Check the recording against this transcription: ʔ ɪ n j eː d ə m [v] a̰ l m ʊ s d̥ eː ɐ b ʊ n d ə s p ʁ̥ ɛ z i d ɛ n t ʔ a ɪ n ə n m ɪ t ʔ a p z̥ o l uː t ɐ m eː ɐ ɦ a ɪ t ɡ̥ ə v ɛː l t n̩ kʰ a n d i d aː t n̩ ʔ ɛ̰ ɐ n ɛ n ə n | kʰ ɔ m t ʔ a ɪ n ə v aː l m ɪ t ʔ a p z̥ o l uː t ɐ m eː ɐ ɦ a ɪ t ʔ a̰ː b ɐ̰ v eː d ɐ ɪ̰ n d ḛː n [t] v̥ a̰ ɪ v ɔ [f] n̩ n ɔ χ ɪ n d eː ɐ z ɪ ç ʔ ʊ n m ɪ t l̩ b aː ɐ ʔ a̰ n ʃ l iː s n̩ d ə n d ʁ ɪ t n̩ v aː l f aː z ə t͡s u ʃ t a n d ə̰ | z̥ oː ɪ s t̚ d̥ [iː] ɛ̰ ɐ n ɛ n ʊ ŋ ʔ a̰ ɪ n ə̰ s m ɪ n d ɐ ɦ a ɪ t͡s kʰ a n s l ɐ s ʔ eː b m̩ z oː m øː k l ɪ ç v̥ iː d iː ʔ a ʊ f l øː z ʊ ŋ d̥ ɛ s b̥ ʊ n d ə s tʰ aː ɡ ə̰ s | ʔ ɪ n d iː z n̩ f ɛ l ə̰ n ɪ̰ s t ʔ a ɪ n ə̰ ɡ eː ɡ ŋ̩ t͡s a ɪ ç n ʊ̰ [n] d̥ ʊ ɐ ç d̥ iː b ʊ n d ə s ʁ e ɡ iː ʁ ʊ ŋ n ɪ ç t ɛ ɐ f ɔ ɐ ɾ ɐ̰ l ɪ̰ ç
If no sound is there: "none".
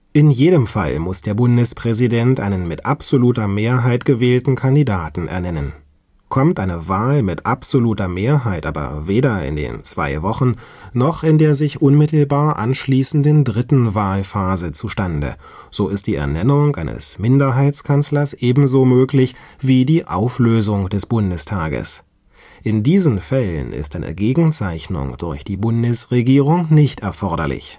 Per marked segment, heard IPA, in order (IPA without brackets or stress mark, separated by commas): f, t͡s, χ, iː, ŋ